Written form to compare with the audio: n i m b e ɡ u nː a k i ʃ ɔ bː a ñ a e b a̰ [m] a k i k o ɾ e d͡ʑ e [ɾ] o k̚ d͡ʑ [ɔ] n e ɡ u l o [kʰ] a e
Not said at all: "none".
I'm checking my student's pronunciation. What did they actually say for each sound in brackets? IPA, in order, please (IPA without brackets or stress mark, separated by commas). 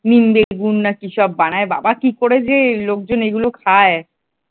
b, l, o, kʰ